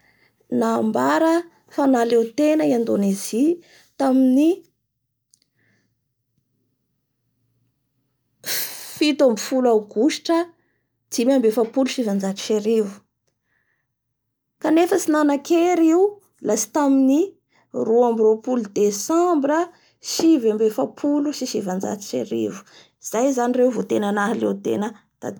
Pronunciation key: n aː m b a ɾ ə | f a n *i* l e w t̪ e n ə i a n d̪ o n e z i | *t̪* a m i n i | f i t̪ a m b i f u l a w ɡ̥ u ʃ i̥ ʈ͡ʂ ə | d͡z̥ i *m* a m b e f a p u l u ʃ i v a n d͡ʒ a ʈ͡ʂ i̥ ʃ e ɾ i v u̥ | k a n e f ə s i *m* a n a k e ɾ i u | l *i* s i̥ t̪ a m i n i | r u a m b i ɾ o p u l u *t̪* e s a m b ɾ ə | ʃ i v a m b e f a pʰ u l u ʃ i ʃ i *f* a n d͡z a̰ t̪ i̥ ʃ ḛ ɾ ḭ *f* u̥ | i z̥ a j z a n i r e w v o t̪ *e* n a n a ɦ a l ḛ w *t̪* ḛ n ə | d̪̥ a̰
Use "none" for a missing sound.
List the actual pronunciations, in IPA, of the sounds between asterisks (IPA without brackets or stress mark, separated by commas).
a, t̪, m, n, a, d̪, v, v, e, t̪